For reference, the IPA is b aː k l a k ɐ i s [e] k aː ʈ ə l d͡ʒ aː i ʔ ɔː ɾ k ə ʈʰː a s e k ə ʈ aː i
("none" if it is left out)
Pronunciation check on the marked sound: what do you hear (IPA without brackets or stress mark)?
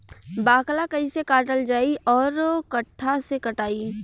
e